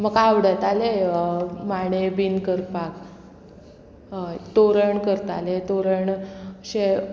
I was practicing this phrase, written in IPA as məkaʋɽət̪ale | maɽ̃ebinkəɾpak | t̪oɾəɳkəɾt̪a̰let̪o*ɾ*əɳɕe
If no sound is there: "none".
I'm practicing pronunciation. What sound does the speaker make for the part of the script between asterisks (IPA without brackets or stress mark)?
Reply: ɾ